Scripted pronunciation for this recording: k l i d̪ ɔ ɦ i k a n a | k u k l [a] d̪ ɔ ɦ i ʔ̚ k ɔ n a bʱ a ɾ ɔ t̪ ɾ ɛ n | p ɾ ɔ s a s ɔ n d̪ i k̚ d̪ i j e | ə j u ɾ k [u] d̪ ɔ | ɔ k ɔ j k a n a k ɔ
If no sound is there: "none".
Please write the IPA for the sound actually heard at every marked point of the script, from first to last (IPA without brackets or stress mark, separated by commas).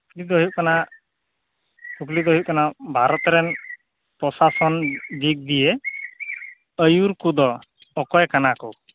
i, u